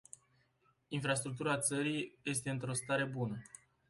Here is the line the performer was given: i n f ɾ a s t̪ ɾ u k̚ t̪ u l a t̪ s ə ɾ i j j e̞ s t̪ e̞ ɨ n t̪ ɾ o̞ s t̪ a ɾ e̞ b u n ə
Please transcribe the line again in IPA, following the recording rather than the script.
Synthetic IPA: i n f ɾ a s t̪ ɾ u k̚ t̪ u ɾ a t̪ s ə ɾ i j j e̞ s t̪ e̞ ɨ n t̪ ɾ o̞ s t̪ a ɾ e̞ b u n ə